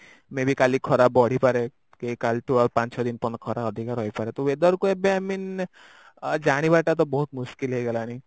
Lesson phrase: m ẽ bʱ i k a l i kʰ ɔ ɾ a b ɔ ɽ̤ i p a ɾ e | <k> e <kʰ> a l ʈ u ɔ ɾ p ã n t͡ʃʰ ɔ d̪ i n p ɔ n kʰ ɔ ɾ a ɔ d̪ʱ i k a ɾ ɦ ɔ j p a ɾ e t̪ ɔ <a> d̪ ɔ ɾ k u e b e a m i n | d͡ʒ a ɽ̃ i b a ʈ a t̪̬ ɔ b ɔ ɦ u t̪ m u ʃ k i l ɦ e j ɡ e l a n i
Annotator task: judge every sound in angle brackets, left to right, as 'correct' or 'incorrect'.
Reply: correct, incorrect: k, incorrect: e

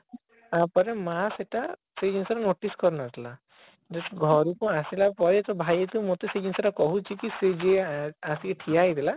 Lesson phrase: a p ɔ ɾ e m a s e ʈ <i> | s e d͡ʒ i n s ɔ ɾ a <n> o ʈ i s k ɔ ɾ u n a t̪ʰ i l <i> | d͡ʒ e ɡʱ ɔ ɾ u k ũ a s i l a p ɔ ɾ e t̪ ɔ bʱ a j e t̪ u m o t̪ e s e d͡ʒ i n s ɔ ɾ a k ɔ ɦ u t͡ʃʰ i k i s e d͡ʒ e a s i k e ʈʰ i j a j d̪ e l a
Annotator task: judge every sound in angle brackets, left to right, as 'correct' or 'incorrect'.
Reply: incorrect: a, correct, incorrect: a

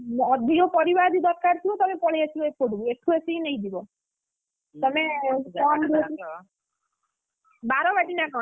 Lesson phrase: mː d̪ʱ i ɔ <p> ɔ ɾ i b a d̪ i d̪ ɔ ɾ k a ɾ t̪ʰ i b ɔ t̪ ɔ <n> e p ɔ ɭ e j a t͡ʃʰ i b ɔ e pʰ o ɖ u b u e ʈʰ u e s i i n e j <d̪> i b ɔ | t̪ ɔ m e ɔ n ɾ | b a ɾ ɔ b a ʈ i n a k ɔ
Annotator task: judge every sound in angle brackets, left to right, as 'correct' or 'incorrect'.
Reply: correct, incorrect: m, correct

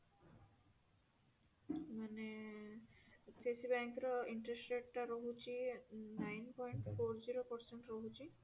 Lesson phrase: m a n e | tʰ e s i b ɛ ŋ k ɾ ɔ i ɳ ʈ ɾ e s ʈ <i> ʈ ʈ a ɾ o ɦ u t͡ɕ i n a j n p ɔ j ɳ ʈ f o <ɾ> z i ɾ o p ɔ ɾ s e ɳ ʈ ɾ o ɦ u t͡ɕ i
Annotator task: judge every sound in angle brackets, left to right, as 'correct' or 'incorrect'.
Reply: incorrect: e, correct

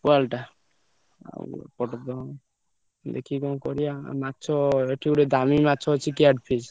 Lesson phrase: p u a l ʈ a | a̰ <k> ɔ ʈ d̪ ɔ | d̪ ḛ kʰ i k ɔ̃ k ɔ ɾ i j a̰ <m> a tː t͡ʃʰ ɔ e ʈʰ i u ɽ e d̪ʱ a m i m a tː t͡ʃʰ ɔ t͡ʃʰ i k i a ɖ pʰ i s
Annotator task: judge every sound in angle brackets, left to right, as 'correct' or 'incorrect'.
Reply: incorrect: p, correct

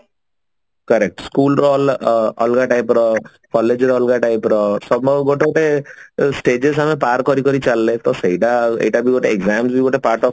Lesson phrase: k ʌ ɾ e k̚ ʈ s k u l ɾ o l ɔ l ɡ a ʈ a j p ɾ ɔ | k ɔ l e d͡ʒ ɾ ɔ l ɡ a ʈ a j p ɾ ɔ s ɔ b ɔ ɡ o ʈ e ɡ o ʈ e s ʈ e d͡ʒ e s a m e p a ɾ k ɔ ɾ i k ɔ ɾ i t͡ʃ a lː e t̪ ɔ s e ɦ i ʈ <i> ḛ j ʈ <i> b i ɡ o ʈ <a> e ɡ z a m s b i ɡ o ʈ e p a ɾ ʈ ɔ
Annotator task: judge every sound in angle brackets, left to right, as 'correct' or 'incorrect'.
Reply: incorrect: a, incorrect: a, incorrect: e

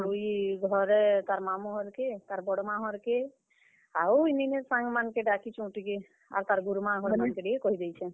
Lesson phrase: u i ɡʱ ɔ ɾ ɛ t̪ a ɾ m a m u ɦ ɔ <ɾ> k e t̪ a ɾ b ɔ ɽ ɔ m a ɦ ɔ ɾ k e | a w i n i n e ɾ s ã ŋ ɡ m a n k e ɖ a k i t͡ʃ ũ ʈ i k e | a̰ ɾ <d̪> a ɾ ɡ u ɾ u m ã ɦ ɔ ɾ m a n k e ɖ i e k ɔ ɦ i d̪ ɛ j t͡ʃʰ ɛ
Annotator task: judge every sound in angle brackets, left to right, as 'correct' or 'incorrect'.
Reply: correct, incorrect: t̪

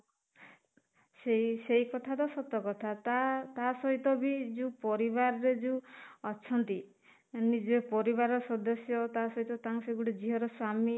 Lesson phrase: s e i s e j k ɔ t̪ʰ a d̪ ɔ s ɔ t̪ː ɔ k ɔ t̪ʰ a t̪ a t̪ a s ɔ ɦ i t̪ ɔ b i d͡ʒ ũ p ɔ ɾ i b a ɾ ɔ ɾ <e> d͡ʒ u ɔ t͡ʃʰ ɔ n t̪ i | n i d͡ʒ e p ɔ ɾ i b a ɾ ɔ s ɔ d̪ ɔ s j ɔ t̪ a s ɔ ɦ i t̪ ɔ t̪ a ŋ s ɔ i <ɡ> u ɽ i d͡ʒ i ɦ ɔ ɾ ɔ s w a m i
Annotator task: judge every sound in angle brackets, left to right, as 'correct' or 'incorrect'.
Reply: correct, correct

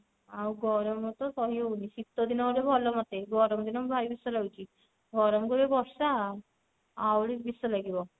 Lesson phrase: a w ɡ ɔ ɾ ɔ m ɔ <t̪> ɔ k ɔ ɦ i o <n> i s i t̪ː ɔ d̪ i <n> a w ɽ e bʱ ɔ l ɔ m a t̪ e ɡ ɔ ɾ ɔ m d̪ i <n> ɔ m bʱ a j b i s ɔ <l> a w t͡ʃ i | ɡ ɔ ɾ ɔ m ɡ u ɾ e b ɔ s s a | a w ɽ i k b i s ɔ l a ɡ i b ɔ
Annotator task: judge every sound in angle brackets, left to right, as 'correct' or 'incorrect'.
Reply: correct, correct, correct, correct, correct

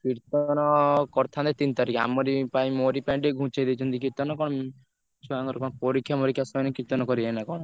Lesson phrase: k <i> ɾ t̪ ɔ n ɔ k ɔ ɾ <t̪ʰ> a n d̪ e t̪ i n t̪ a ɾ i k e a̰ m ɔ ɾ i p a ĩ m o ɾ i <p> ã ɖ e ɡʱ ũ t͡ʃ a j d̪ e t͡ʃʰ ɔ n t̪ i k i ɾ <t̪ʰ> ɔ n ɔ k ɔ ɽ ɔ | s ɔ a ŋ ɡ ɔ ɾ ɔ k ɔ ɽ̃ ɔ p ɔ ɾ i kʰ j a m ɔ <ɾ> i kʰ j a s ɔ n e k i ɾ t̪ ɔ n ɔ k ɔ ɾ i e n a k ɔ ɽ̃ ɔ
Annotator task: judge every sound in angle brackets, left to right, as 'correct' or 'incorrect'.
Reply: correct, correct, correct, incorrect: t̪, correct

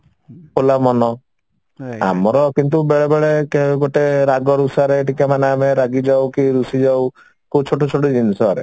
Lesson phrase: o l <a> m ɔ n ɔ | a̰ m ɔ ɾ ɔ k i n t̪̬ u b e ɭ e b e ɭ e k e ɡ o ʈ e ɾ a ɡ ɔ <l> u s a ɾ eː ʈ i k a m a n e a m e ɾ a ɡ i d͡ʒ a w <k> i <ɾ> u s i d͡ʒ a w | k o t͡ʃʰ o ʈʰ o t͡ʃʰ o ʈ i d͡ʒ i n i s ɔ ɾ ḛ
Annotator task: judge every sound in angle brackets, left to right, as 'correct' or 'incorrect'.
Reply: correct, incorrect: ɾ, correct, correct

